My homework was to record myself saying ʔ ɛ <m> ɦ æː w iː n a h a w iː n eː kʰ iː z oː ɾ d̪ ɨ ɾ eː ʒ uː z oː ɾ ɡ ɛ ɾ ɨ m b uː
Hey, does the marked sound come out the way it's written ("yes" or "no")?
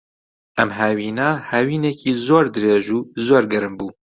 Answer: yes